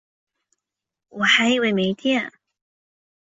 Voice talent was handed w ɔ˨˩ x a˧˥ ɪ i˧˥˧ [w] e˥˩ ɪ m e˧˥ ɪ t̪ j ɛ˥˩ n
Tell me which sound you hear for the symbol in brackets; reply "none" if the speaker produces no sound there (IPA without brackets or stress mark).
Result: w